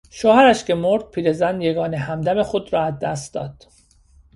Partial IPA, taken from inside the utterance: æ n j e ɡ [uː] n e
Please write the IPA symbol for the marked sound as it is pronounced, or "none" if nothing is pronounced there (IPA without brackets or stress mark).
ɒː